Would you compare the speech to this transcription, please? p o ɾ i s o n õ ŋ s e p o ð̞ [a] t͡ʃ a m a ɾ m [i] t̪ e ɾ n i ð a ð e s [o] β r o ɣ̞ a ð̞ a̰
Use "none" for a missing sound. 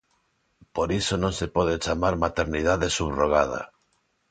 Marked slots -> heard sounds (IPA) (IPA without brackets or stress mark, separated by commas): e, a, u